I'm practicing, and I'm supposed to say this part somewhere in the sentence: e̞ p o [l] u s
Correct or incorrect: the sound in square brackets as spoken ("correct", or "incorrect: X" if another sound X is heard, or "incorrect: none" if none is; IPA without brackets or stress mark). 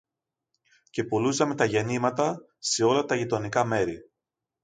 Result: correct